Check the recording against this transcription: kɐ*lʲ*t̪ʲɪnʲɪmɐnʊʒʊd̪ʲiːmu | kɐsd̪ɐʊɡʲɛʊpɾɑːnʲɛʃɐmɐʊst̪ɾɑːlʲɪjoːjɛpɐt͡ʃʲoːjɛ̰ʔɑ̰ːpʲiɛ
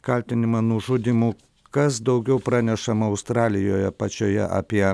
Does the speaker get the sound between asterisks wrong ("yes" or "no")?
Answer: no